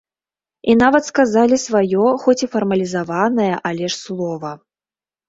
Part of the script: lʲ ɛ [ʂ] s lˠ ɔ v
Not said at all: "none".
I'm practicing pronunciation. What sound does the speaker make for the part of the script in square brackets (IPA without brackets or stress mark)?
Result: ʂ